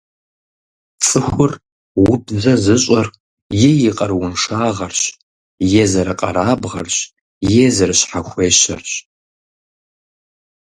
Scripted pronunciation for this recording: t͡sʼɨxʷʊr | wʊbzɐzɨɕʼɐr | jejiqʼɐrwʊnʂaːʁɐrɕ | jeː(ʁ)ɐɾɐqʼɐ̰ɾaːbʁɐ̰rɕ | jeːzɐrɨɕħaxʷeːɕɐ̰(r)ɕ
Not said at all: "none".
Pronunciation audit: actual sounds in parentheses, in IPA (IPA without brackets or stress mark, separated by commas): z, r